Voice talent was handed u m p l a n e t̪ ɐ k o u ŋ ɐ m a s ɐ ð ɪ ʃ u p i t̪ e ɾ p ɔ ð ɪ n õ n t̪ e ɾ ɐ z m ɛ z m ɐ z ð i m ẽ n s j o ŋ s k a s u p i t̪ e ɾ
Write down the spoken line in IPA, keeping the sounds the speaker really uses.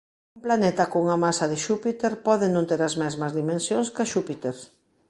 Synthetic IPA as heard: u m p l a n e t̪ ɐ k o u ŋ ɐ m a s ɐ ð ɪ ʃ u p i t̪ e ɾ p ɔ ð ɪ n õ n t̪ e ɾ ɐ z m ɛ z m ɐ z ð i m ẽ n s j o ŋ s k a ʃ u p i t̪ e ɾ